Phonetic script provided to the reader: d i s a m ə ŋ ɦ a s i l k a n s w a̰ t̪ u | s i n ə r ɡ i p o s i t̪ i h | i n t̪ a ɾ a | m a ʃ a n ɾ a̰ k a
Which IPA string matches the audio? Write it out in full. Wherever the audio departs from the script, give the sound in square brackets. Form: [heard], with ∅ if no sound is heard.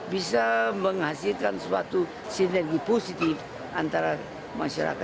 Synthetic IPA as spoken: [b] i s a m ə ŋ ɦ a s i l k a n s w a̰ t̪ u | s i n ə r ɡ i p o s i t̪ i [f] | [a] n t̪ a ɾ a | m a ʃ a [∅] ɾ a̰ k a

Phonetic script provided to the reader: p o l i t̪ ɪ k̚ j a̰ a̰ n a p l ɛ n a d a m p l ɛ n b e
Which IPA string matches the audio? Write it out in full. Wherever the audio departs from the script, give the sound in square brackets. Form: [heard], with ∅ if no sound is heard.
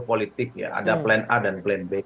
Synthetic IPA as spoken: p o l i t̪ ɪ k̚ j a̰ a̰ [d] a p l ɛ n a d a [n] p l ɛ n b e

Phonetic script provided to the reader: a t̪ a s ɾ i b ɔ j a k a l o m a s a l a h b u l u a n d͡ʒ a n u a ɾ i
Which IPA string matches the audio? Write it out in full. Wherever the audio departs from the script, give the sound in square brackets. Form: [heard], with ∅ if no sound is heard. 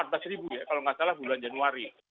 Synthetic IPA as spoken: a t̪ a s ɾ i b [u] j a k a l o [ŋ] a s a l a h b u l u a n d͡ʒ a n u a ɾ i

